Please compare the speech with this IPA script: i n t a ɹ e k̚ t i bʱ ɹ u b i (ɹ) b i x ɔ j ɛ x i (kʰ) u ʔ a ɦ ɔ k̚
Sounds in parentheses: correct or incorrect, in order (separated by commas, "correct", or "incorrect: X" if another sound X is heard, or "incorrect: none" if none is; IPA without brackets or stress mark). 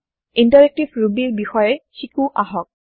correct, incorrect: k